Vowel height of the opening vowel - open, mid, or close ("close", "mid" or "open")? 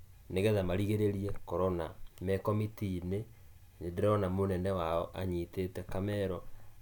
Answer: mid